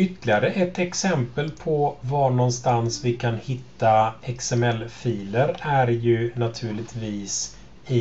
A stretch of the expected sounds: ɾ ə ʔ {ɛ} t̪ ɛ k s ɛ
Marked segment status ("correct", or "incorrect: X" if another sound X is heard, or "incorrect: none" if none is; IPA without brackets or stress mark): correct